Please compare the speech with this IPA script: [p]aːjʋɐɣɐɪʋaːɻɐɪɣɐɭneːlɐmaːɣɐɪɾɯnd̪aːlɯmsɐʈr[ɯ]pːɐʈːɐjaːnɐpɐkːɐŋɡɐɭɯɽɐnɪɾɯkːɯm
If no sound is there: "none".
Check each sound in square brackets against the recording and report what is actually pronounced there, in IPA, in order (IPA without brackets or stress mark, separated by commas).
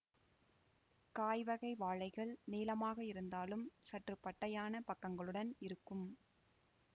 k, ɯ